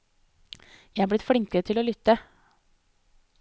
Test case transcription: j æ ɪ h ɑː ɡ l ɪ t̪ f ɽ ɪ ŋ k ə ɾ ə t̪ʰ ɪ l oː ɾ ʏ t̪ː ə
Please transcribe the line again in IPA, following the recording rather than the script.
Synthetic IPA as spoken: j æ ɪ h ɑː b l ɪ t̪ f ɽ ɪ ŋ k ə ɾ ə t̪ʰ ɪ l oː l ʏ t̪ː ə